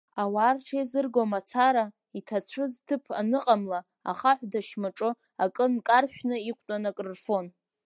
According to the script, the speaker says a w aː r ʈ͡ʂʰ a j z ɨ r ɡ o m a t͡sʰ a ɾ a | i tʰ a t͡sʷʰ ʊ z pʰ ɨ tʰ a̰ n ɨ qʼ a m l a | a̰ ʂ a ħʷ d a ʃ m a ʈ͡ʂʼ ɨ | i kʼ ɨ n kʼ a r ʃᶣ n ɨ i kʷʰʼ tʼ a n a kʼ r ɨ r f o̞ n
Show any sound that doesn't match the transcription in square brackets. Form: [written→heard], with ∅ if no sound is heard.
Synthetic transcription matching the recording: a w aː r ʈ͡ʂʰ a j z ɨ r ɡ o m a t͡sʰ a ɾ a | i tʰ a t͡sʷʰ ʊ z [pʰ→tʰ] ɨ [tʰ→pʰ] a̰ n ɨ qʼ a m l a | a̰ [ʂ→χ] a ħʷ d a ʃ m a ʈ͡ʂʼ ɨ | [i→a] kʼ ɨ n kʼ a r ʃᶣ n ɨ i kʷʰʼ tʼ a n a kʼ r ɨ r f o̞ n